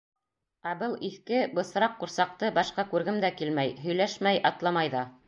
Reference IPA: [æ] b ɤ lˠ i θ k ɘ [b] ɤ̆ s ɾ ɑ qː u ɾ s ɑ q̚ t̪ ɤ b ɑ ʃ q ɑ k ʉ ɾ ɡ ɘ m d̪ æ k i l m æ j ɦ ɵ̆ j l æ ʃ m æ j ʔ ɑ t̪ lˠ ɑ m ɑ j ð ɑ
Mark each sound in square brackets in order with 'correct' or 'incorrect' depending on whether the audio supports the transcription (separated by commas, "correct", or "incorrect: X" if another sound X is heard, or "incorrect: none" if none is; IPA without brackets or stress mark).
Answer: correct, correct